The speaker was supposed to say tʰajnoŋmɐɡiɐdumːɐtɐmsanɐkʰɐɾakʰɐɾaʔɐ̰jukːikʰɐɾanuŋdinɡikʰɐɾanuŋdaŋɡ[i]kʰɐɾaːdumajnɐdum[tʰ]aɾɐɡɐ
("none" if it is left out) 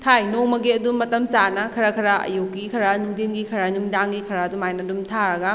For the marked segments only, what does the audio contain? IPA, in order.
i, tʰ

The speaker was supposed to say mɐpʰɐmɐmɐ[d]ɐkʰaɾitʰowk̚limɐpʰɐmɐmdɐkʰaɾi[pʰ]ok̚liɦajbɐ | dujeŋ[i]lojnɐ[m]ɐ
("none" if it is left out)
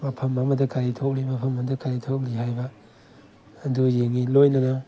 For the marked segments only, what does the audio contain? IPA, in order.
d, tʰ, i, n

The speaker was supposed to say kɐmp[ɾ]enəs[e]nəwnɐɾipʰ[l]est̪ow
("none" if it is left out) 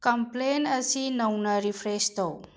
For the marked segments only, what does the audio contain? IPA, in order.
l, i, ɾ

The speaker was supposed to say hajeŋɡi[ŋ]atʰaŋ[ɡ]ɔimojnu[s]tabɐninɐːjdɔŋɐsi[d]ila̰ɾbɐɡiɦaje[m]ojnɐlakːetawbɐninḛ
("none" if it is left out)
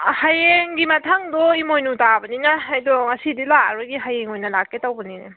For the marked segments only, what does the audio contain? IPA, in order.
m, d, none, d, ŋ

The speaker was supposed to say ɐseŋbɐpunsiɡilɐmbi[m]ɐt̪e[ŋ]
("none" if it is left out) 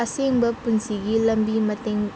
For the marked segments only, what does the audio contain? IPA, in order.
m, ŋ

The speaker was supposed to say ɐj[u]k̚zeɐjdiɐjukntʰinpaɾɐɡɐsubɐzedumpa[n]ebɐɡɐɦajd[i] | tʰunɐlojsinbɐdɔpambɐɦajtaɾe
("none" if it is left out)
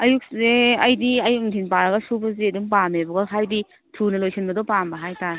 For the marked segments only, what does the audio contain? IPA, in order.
u, m, i

